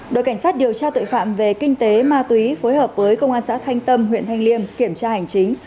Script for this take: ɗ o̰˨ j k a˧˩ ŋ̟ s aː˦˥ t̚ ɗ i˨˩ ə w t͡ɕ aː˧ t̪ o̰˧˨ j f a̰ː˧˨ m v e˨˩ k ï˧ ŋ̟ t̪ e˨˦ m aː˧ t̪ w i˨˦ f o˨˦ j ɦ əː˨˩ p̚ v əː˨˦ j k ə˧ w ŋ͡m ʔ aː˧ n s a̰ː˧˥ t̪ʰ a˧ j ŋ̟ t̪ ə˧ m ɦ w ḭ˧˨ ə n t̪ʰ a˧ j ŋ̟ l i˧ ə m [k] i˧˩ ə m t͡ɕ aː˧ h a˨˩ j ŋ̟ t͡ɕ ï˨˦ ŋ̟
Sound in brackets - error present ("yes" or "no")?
no